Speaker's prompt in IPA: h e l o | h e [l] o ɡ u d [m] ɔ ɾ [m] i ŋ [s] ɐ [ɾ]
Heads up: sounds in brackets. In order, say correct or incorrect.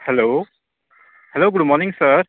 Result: correct, correct, incorrect, correct, correct

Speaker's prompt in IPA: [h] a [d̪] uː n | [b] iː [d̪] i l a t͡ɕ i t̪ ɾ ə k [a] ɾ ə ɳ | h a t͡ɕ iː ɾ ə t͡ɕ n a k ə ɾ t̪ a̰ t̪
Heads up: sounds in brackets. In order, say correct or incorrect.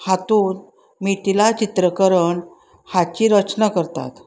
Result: correct, incorrect, incorrect, incorrect, incorrect

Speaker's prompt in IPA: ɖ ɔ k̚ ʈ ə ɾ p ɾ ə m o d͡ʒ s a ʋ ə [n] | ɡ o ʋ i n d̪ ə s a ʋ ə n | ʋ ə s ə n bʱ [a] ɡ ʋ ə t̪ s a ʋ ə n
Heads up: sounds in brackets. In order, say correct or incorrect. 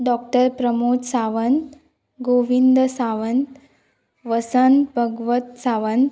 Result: correct, incorrect

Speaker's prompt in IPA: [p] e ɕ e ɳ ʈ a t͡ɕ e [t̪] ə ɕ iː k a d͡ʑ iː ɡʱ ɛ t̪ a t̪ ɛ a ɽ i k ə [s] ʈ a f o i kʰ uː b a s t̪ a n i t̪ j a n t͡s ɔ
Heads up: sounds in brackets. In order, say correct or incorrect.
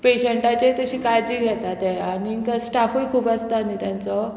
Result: correct, correct, correct

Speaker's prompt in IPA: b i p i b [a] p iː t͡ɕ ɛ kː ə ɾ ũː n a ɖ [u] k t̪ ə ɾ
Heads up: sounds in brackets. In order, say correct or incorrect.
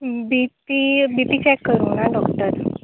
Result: incorrect, incorrect

